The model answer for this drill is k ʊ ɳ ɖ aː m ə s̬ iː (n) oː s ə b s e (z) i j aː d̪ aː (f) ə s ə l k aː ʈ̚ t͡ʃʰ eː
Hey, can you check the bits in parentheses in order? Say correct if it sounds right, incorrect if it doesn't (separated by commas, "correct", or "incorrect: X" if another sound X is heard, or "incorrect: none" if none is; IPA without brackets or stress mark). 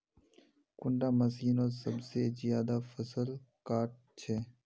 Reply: correct, correct, correct